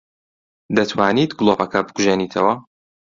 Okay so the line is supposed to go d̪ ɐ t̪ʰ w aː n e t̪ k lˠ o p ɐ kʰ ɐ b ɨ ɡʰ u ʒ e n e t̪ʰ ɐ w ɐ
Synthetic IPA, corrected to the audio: d̪ ɐ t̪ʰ w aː n i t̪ ɡ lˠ o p ɐ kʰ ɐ b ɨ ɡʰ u ʒ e n i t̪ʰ ɐ w ɐ